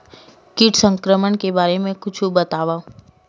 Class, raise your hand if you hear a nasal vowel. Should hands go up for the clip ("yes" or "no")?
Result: yes